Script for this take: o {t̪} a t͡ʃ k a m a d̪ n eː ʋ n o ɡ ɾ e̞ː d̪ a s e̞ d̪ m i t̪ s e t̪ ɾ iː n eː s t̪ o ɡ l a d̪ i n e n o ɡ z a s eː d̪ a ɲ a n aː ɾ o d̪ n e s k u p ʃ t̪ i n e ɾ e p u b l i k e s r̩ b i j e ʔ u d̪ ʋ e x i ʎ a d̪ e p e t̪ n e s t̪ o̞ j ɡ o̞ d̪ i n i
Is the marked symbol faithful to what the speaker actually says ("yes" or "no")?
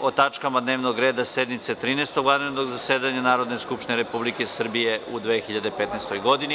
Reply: yes